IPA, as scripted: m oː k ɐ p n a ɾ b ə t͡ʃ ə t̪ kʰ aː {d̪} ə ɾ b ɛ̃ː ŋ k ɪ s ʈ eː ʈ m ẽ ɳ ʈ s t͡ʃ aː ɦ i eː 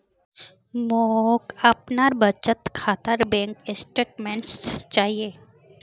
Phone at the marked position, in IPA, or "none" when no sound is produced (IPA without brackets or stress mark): t̪